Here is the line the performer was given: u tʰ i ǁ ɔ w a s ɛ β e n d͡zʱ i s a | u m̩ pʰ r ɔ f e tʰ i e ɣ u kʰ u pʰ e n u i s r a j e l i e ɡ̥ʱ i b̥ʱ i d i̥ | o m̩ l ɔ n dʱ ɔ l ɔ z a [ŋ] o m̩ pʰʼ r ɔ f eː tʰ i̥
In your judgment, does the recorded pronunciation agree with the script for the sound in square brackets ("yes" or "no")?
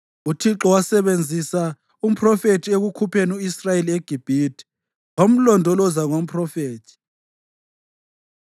yes